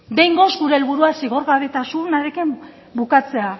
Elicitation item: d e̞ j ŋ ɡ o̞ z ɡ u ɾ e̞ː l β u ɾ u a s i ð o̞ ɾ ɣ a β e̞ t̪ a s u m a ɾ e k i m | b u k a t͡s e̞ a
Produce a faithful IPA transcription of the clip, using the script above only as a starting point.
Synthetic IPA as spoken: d e̞ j ŋ ɡ o̞ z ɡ u ɾ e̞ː l β u ɾ u a s i ɣ o̞ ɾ ɣ a β e̞ t̪ a s u n a ɾ e k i m | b u k a t͡s e̞ a